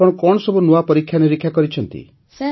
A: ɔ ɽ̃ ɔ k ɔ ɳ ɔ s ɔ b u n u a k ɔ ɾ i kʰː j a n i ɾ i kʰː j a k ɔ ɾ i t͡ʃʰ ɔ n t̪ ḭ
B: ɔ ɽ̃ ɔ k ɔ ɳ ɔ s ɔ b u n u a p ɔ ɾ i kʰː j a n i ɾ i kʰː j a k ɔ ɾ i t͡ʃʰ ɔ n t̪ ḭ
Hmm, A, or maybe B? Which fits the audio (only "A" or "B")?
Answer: B